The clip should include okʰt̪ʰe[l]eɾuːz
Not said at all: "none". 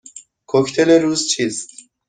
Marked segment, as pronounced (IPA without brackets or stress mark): l